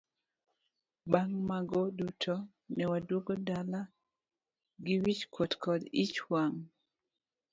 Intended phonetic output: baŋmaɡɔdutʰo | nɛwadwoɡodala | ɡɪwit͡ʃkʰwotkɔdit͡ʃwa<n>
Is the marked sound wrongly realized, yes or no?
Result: yes